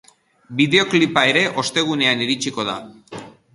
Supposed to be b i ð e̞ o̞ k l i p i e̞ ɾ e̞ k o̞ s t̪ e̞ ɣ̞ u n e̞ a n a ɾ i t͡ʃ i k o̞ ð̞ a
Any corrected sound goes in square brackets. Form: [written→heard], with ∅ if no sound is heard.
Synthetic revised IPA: b i ð e̞ o̞ k l i p [i→a] e̞ ɾ e̞ [k→ʔ] o̞ s t̪ e̞ ɣ̞ u n e̞ a n [a→i] ɾ i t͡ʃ i k o̞ ð̞ a